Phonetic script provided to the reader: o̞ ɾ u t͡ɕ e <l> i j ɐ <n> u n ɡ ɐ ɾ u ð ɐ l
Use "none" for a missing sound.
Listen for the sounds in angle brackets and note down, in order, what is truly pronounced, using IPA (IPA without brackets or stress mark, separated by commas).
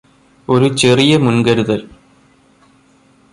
r, m